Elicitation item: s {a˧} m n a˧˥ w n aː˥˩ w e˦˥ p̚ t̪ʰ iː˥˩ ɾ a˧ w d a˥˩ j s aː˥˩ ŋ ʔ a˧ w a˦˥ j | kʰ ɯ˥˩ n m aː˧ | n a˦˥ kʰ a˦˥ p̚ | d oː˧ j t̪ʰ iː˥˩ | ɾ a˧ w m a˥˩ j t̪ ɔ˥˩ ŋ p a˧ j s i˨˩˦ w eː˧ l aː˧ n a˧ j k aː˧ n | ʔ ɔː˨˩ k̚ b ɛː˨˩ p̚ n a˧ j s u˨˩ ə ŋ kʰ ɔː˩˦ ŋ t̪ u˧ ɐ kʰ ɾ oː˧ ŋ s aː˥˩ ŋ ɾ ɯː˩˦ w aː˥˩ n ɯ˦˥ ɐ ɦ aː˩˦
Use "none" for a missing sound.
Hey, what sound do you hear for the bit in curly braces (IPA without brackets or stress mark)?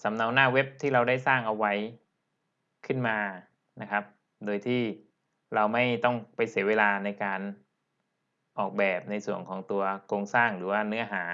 a˩˦